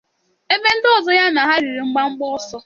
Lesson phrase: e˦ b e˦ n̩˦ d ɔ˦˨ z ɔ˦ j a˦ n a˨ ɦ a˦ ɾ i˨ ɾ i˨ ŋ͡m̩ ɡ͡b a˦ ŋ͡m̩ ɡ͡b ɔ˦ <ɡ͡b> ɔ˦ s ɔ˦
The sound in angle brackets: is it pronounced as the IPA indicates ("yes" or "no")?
no